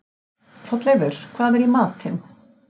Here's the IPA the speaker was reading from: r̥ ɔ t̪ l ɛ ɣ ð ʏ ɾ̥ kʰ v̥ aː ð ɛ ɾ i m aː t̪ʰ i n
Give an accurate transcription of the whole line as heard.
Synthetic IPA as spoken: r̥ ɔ t̪ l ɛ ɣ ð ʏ ɾ̥ kʰ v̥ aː ð ɛ ɾ i m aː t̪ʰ ɪ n

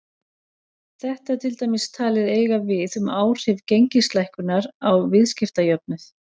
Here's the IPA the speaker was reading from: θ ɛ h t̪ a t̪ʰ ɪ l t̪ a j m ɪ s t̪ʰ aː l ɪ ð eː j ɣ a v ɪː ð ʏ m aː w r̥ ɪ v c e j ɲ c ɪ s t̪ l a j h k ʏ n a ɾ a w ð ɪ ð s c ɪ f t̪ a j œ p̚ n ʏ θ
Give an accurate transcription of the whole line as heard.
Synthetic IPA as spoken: θ ɛ h t̪ a t̪ʰ ɪ l t̪ a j m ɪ s t̪ʰ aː l ɪ ð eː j ɣ a v ɪ ð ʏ m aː w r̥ ɪ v c e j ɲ c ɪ s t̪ l a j h k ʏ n a ɾ a w v ɪ ð s c ɪ f t̪ a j œ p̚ n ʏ θ

